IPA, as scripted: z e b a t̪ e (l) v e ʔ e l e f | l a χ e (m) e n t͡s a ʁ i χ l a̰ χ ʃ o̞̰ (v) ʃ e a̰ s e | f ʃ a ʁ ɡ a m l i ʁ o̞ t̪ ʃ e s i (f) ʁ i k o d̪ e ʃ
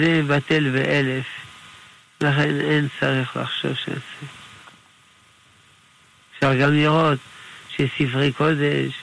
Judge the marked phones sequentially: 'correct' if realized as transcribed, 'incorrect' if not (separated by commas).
correct, incorrect, correct, correct